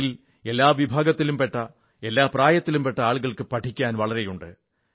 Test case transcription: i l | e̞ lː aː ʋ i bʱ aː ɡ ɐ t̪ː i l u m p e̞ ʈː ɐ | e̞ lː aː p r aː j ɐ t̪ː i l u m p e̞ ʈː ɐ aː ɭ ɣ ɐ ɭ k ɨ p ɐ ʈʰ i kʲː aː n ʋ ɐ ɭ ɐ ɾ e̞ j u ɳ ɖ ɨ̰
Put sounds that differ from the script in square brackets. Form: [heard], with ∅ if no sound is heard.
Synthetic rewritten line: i l | e̞ lː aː ʋ i bʱ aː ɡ ɐ t̪ː i l u m p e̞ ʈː ɐ | e̞ lː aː p r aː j ɐ t̪ː i l u m p e̞ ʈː ɐ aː ɭ ɣ ɐ ɭ k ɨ p ɐ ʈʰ i kʲː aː n ʋ ɐ ɭ ɐ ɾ e̞ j u ɳ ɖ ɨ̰

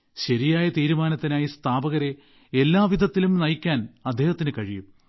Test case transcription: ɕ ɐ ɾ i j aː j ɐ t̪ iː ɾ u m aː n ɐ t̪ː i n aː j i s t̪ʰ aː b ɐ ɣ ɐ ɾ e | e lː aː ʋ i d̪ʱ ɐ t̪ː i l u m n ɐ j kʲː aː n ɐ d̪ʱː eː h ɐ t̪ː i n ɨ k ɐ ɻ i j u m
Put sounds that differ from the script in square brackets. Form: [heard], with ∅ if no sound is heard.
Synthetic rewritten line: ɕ ɐ ɾ i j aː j ɐ t̪ iː ɾ u m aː n ɐ t̪ː i n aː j i s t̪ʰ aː b ɐ ɣ ɐ ɾ e | e lː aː ʋ i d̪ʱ ɐ t̪ː i l u m n ɐ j kʲː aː n ɐ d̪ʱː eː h ɐ t̪ː i n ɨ k ɐ ɻ i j u m

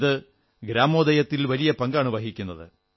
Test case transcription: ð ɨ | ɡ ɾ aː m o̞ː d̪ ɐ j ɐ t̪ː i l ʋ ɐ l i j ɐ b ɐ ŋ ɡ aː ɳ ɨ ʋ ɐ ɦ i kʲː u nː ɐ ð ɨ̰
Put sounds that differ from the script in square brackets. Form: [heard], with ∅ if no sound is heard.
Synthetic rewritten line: ð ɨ | ɡ ɾ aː m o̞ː d̪ ɐ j ɐ t̪ː i l ʋ ɐ l i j ɐ [p] ɐ ŋ ɡ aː ɳ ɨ ʋ ɐ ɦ i kʲː u nː ɐ ð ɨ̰

